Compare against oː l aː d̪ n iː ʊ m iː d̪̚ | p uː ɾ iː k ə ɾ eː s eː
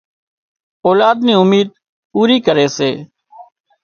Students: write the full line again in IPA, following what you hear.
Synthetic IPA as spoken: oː l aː d̪ n iː ʊ m iː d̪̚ | p uː ɾ iː k ə ɾ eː s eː